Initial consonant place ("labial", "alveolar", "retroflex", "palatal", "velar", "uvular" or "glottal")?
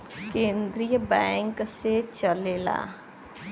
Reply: velar